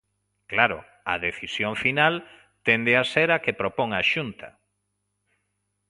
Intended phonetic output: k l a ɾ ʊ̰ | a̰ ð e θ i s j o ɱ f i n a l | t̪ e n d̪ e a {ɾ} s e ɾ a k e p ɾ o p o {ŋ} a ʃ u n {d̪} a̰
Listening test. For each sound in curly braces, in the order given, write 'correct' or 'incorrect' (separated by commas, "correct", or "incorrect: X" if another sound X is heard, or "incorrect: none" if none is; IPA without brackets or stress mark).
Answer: incorrect: none, correct, incorrect: t̪